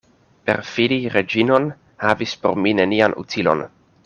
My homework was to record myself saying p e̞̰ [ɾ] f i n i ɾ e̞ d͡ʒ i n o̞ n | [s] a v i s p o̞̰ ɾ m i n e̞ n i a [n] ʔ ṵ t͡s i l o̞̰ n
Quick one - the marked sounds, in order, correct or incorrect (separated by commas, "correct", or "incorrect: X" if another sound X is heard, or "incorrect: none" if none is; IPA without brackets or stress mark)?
correct, incorrect: h, correct